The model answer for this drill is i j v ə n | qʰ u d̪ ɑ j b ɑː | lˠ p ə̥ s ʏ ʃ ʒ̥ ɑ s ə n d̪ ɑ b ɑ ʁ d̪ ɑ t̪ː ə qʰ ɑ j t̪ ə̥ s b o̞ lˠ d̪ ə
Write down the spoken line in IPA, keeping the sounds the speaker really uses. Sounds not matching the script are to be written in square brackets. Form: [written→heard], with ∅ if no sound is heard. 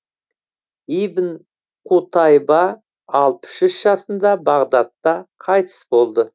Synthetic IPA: i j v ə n | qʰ u [d̪→t̪] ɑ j b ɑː | lˠ p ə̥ [s→ʃ] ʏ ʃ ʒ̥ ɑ s ə n d̪ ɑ b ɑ ʁ d̪ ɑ t̪ː [ə→ɑ] qʰ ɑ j t̪ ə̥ s b o̞ lˠ d̪ ə